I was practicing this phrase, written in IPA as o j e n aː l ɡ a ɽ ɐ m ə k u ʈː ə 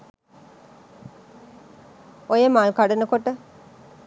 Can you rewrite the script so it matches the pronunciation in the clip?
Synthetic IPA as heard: o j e m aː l k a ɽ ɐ n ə k o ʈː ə